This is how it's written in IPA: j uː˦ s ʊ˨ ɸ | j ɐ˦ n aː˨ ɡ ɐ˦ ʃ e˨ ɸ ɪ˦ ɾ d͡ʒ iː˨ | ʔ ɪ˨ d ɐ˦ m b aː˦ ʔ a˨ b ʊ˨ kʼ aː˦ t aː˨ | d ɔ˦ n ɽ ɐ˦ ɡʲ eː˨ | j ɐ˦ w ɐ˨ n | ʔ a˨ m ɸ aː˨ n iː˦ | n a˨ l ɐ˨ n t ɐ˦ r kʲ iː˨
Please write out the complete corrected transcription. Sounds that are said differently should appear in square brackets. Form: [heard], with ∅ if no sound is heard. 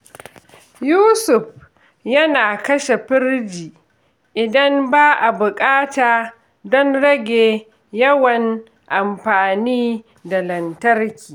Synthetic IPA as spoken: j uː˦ s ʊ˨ ɸ | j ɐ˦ n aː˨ [k] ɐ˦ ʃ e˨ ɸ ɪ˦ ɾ d͡ʒ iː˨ | ʔ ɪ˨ d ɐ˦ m b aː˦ ʔ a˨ b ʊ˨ kʼ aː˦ t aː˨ | d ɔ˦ n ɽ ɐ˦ ɡʲ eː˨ | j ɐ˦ w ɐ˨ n | ʔ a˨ m ɸ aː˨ n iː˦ | [d] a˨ l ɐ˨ n t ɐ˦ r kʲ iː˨